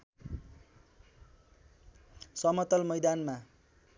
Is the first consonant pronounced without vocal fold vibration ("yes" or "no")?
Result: yes